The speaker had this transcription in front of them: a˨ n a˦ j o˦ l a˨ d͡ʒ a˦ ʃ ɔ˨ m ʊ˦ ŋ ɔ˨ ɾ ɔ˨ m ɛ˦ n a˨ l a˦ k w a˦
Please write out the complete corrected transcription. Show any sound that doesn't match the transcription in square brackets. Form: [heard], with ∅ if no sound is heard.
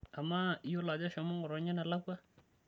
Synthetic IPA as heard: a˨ [m] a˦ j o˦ l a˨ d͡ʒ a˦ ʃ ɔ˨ m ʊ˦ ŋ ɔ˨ ɾ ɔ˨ [ɲ] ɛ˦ n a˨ l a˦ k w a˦